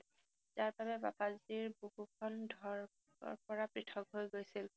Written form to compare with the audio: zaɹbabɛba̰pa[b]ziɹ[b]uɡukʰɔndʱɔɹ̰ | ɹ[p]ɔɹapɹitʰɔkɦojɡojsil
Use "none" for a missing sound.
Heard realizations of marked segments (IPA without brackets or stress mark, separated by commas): none, b, p